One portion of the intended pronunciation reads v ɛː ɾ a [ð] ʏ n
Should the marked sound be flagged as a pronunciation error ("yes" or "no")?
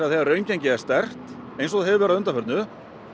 no